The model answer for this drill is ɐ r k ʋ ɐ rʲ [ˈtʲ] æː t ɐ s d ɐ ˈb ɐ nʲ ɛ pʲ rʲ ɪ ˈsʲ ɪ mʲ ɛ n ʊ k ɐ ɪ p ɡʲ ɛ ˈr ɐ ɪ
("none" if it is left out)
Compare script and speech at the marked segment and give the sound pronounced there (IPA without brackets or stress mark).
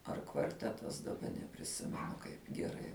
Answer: tʲ